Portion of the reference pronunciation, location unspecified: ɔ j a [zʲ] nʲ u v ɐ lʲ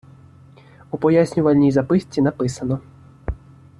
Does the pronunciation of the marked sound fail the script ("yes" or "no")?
yes